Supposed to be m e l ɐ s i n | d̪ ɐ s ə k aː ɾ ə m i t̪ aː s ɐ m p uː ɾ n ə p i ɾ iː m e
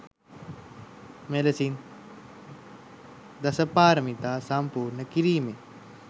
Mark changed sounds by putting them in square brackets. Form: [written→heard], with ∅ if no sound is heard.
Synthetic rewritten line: m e l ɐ s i n | d̪ ɐ s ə [k→p] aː ɾ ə m i t̪ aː s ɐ m p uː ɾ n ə [p→k] i ɾ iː m e

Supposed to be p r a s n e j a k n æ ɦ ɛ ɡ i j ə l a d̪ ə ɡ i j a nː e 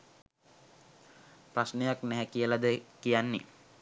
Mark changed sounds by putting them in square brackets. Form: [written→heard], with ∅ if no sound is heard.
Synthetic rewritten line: p r a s n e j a k n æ ɦ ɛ [ɡ→k] i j ə l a d̪ ə [ɡ→k] i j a nː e

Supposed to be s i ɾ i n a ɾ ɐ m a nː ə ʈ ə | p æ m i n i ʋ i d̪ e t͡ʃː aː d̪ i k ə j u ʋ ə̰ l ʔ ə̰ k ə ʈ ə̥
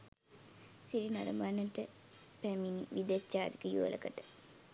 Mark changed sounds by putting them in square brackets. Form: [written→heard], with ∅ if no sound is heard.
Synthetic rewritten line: s i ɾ i n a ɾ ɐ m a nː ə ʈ ə | p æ m i n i ʋ i d̪ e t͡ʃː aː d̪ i k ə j u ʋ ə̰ l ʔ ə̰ k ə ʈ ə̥

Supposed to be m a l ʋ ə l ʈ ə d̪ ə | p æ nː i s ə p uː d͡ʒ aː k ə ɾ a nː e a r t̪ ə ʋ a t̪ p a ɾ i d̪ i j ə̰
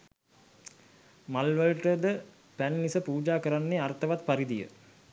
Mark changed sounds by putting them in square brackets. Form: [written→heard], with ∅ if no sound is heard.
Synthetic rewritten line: m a l ʋ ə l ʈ ə d̪ ə | p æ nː i s ə p uː d͡ʒ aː k ə ɾ a nː e a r t̪ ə ʋ a t̪ p a ɾ i d̪ i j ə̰

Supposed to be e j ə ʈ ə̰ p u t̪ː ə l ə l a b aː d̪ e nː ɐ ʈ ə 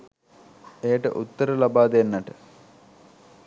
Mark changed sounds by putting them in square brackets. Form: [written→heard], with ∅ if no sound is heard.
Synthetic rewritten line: e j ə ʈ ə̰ [p→ʔ] u t̪ː ə [l→ɾ] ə l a b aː d̪ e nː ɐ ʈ ə

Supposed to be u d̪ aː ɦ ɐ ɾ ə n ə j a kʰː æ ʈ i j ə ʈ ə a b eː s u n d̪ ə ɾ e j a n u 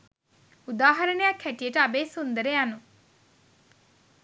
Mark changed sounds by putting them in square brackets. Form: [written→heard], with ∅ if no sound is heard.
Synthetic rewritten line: u d̪ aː ɦ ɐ ɾ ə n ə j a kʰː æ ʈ i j ə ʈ ə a b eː s u n d̪ ə ɾ e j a n u

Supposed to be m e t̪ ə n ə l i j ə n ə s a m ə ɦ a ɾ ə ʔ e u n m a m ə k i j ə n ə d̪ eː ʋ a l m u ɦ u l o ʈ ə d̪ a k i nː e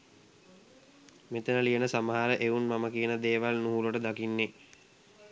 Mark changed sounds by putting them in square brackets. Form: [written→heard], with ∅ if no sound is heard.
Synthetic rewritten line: m e t̪ ə n ə l i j ə n ə s a m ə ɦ a ɾ ə ʔ e u n m a m ə k i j ə n ə d̪ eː ʋ a l [m→n] u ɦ u l o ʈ ə d̪ a k i nː e

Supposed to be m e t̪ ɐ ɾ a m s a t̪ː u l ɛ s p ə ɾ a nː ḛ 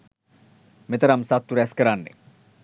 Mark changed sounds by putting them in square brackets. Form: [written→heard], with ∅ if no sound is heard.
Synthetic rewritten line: m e t̪ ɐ ɾ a m s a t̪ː u [l→ɾ] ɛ s [p→k] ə ɾ a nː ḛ

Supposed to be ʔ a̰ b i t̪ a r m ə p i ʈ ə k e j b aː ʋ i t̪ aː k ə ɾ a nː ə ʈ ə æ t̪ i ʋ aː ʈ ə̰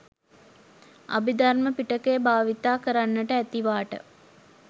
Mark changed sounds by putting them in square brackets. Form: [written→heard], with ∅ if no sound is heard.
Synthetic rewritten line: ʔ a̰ b i [t̪→d̪] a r m ə p i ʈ ə k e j b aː ʋ i t̪ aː k ə ɾ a nː ə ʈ ə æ t̪ i ʋ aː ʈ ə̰

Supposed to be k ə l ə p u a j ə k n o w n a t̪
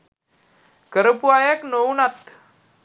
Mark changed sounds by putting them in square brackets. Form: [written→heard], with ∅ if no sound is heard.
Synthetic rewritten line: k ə [l→ɾ] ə p u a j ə k n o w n a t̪

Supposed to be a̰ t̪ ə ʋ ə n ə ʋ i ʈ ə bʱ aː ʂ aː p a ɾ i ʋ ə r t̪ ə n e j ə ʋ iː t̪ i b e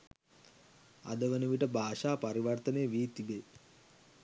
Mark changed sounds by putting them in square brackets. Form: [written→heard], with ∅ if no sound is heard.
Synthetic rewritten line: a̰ [t̪→d̪] ə ʋ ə n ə ʋ i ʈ ə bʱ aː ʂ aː p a ɾ i ʋ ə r t̪ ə n e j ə ʋ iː t̪ i b e

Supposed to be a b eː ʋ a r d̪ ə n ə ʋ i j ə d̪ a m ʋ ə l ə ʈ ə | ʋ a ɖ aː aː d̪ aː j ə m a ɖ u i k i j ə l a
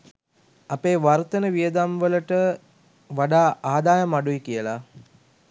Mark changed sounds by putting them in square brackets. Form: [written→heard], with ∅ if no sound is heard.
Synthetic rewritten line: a [b→p] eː ʋ a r [d̪→t̪] ə n ə ʋ i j ə d̪ a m ʋ ə l ə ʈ ə | ʋ a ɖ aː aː d̪ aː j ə m a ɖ u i k i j ə l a

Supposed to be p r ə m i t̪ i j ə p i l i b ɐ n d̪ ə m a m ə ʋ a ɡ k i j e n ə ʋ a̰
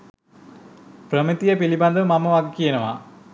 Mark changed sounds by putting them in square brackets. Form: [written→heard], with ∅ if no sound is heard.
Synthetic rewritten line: p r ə m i t̪ i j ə p i l i b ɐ n d̪ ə m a m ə ʋ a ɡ k i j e n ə ʋ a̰

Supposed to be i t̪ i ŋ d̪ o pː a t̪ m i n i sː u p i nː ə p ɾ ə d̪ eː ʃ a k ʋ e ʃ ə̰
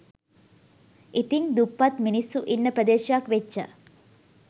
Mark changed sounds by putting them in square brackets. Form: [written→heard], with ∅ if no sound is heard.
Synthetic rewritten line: i t̪ i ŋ d̪ [o→u] pː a t̪ m i n i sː u [p→ʔ] i nː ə p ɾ ə d̪ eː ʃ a k ʋ e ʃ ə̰

